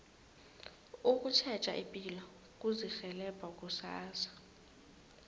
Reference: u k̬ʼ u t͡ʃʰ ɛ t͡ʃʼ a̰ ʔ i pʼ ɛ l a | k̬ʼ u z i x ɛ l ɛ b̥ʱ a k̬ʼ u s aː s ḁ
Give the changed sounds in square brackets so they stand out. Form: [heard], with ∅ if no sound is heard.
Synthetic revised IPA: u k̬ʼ u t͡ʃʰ ɛ t͡ʃʼ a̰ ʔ i pʼ [i] l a | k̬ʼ u z i x ɛ l ɛ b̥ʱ a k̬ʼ u s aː s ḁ